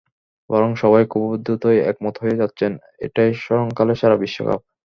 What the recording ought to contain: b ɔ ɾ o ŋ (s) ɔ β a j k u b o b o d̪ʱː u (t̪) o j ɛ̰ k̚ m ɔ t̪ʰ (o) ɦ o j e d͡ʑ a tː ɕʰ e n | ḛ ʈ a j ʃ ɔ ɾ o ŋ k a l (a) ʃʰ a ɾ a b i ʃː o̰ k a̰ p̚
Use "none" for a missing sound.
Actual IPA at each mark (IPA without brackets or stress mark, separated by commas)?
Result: ʃ, t̪, o, e